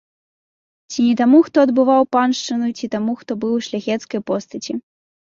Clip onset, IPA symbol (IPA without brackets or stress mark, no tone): t͡sʲ